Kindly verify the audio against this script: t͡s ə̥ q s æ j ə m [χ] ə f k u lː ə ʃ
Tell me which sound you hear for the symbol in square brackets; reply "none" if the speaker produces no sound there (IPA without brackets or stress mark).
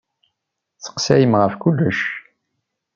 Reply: ʁ